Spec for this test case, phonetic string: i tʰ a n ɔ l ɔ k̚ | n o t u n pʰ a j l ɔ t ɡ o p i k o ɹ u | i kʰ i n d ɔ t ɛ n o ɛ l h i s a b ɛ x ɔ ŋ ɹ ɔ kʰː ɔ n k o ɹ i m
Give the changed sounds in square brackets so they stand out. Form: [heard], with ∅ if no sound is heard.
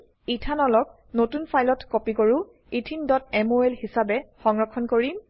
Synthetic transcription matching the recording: i tʰ a n ɔ l ɔ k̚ | n o t u n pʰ a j l ɔ t [k] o p i k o ɹ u | i [tʰ] i n d ɔ t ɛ [m] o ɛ l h i s a b ɛ x ɔ ŋ ɹ ɔ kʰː ɔ n k o ɹ i m